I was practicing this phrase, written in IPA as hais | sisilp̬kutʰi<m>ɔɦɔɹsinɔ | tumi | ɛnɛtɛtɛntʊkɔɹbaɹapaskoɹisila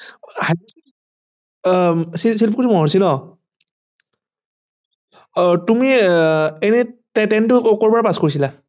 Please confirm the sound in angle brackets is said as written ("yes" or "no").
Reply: yes